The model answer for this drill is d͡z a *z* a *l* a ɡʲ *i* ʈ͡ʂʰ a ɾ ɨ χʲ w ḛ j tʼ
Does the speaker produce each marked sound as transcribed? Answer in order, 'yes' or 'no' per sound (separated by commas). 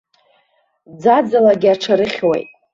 no, yes, no